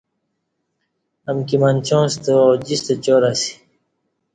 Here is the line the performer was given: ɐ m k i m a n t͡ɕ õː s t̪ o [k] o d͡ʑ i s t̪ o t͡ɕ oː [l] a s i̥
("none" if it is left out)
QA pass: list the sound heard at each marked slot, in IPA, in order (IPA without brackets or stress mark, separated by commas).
none, ɾ